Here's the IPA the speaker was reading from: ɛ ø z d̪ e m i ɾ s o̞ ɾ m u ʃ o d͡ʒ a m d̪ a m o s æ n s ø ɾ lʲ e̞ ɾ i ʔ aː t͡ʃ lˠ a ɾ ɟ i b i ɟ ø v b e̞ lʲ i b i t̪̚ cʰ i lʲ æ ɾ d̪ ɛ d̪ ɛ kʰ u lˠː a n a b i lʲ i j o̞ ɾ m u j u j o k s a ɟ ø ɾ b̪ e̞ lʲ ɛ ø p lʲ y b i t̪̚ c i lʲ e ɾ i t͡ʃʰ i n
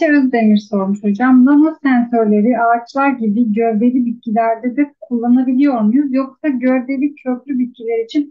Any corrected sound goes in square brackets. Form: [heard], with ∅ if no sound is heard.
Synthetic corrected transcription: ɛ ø z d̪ e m i ɾ s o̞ ɾ m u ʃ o d͡ʒ a m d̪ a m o s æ n s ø ɾ lʲ e̞ ɾ i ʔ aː t͡ʃ lˠ a ɾ ɟ i b i ɟ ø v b e̞ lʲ i b i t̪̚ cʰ i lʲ æ ɾ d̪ ɛ d̪ ɛ kʰ u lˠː a n a b i lʲ i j o̞ ɾ m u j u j o k s a ɟ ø ɾ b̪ e̞ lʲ [i] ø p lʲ y b i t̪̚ c i lʲ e ɾ i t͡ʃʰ i n